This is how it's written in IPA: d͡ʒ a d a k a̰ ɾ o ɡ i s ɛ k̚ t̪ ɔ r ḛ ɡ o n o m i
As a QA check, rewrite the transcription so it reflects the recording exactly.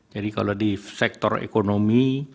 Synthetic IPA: d͡ʒ a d i k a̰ l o d i s ɛ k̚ t̪ ɔ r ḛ k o n o m i